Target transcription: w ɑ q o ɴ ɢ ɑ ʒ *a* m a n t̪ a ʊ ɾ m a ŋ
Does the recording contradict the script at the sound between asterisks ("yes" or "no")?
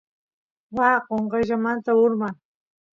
no